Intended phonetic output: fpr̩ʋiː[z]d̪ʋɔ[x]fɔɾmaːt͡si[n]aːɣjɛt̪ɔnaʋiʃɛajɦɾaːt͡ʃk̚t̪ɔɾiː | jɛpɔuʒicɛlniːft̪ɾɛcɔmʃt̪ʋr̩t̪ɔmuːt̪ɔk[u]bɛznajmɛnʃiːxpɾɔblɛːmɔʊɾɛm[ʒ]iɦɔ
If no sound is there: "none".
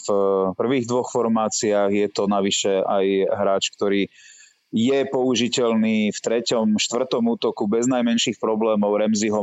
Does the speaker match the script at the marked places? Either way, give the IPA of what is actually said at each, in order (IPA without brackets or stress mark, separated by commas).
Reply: ɣ, x, none, u, z